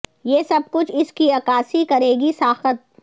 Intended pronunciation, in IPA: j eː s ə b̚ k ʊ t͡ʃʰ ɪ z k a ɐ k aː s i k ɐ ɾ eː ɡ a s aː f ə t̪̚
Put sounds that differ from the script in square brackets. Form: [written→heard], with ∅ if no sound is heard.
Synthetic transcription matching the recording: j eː s [ə→ɐ] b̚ k ʊ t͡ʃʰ ɪ [z→s] k [a→i] ɐ k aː s i k ɐ ɾ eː ɡ [a→i] s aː [f→x] ə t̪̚